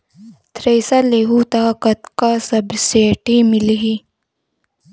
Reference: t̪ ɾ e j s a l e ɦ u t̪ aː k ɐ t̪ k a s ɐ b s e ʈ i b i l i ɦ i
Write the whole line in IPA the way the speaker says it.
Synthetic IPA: t̪ ɾ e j s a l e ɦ u t̪ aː k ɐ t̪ k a s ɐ b s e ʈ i m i l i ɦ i